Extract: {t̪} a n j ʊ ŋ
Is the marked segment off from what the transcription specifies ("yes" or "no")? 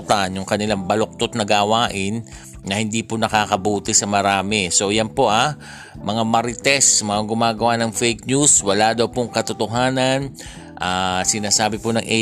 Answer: no